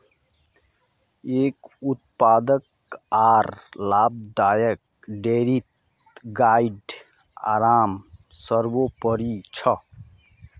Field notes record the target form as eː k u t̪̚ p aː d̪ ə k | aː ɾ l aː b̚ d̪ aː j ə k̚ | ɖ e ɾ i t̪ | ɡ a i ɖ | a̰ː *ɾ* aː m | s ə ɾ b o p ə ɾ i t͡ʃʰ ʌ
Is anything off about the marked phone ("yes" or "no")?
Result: no